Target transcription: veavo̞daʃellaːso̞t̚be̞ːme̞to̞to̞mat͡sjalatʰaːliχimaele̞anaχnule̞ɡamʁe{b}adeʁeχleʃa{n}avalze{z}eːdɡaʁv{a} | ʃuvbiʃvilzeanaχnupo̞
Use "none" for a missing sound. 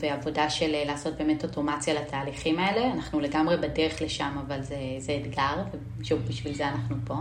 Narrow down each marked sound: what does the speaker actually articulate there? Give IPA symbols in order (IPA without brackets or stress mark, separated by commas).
b, m, z, e